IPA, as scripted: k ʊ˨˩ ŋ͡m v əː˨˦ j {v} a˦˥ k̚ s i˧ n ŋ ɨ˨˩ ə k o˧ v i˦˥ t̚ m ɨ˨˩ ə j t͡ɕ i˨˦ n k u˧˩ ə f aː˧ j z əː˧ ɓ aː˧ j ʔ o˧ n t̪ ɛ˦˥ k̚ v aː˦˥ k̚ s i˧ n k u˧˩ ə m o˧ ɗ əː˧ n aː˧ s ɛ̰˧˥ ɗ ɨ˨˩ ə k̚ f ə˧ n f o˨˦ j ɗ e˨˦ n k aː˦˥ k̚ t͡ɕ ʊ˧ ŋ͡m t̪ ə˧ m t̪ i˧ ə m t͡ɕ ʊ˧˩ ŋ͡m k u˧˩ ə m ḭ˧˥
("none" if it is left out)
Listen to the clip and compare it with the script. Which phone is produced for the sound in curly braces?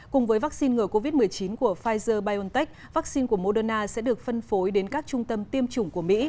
v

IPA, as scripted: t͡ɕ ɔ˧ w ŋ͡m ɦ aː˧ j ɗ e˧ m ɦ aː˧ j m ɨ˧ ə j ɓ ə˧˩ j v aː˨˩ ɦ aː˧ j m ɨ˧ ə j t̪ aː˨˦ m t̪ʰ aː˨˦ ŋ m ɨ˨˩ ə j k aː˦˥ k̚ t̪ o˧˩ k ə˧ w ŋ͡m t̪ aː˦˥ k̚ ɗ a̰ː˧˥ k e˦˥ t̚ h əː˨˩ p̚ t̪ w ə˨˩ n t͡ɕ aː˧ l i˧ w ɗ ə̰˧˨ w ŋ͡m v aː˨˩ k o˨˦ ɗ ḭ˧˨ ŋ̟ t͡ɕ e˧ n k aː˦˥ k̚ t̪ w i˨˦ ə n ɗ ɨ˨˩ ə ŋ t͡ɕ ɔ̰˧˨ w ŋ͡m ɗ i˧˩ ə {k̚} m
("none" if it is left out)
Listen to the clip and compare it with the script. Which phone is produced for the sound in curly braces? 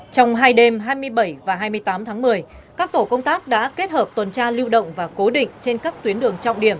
none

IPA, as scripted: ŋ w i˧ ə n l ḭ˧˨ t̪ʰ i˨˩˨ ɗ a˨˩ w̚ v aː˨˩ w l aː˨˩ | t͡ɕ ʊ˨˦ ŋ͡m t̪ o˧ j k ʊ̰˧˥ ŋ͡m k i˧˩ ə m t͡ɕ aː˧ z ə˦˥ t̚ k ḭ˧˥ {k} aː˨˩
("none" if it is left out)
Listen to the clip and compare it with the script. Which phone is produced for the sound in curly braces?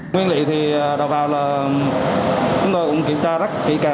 k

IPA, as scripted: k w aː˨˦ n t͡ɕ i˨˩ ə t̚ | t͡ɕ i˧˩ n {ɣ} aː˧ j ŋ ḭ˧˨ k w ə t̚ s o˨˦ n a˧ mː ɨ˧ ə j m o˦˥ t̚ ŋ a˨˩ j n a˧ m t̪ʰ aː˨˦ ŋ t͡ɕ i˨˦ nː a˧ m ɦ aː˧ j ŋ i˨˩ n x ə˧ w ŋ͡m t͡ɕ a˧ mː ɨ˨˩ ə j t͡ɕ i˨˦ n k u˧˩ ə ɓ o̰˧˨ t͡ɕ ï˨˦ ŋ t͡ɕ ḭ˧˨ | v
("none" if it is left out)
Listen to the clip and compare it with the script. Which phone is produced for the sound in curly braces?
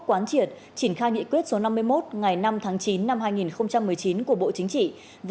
x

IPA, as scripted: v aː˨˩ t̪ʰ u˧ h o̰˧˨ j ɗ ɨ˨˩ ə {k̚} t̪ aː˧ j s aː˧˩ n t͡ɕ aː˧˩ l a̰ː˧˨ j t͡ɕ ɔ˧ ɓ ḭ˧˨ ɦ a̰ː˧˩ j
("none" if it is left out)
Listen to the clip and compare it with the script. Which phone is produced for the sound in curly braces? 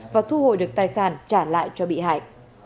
k̚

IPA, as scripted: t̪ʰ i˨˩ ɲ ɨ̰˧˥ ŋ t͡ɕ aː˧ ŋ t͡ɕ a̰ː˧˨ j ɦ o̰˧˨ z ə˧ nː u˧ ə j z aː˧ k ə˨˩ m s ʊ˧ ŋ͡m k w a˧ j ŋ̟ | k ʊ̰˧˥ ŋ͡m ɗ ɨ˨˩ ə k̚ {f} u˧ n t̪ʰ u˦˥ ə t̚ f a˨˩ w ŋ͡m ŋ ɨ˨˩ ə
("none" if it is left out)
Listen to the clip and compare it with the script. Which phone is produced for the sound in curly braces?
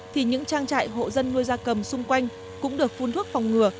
f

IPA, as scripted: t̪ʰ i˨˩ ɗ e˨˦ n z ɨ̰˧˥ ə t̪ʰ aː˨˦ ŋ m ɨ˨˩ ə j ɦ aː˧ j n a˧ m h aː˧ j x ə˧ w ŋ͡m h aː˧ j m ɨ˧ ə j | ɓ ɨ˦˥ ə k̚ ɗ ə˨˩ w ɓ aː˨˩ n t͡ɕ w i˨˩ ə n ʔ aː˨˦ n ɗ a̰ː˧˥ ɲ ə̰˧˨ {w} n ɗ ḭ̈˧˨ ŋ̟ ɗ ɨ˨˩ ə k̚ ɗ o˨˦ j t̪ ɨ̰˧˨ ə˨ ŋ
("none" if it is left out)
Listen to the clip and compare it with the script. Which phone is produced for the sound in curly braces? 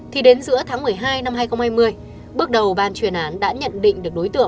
none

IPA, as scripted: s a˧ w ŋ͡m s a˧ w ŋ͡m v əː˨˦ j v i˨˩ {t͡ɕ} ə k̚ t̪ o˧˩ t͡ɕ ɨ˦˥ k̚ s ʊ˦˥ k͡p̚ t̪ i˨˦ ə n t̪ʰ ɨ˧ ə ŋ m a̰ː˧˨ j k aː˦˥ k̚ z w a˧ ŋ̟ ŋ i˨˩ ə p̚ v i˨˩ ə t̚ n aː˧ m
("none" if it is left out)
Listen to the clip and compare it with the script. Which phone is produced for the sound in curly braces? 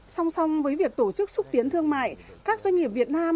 none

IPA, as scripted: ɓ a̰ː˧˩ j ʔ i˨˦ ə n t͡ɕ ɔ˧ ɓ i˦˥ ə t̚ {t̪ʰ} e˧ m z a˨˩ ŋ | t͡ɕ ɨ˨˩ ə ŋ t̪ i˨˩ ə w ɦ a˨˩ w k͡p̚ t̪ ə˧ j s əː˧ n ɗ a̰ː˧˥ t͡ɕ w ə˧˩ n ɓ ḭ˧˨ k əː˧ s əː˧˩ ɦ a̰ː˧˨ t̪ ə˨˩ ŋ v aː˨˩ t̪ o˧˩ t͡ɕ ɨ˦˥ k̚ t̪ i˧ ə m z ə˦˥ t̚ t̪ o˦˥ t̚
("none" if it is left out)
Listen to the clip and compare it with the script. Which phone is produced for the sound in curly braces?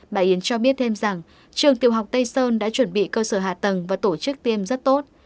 t̪ʰ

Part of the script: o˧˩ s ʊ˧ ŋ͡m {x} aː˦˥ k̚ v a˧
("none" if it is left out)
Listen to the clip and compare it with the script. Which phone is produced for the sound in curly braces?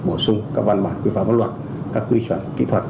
k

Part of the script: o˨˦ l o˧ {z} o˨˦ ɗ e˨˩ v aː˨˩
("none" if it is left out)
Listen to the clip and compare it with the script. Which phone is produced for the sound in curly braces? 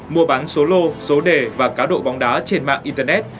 s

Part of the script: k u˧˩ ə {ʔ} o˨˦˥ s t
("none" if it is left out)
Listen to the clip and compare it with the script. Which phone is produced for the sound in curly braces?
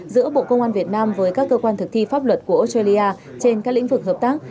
ʔ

